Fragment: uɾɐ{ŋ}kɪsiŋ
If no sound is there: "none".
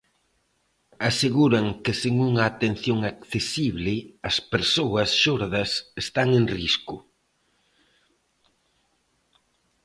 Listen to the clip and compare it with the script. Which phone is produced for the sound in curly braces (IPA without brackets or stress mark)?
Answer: ŋ